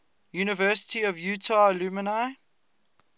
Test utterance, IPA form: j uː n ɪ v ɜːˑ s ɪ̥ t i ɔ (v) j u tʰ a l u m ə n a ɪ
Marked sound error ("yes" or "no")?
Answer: no